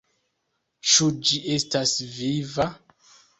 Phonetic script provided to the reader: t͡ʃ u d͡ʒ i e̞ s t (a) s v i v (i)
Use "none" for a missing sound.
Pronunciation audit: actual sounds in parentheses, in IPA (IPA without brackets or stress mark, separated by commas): a, a